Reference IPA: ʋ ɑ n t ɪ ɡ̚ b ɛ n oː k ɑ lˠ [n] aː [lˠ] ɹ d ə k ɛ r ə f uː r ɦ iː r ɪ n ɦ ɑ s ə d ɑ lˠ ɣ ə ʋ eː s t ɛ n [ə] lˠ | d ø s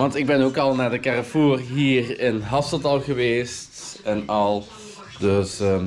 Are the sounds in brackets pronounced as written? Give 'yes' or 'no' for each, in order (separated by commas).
yes, no, no